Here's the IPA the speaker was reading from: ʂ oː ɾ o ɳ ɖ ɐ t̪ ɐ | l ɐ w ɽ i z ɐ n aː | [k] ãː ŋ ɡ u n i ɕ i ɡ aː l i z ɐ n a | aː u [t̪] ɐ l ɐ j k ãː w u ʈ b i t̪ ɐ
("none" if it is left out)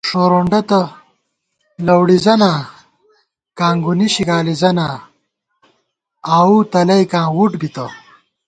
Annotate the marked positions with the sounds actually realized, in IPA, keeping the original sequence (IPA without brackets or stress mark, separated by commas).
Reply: k, t̪